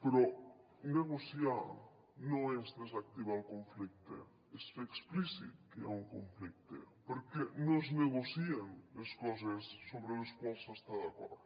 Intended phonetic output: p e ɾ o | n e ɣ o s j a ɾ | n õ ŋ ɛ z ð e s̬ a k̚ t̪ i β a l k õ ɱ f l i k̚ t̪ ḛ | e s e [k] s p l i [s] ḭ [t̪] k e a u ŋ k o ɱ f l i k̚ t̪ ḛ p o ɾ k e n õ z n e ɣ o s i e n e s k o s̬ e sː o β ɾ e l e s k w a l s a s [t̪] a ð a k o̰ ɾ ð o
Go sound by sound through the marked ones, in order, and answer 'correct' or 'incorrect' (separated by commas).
correct, correct, correct, correct